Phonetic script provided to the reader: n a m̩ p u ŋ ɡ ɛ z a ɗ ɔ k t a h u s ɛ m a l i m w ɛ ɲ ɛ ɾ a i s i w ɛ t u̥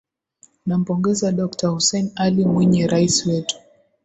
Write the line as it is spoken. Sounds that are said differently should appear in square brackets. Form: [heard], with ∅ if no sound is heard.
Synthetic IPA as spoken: n a m̩ p [ɔ] ŋ ɡ ɛ z a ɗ ɔ k t a h u s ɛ [n] a l i m w ɛ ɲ ɛ ɾ a i s i w ɛ t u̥